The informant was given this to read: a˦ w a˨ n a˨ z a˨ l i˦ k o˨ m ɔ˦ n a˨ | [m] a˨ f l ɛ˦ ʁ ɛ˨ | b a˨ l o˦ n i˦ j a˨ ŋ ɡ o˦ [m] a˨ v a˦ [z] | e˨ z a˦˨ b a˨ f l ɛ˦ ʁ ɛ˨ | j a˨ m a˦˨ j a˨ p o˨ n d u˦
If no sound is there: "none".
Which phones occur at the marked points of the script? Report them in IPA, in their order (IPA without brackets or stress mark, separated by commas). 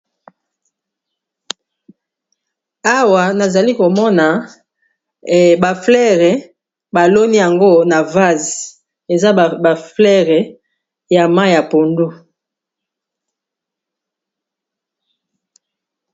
b, n, z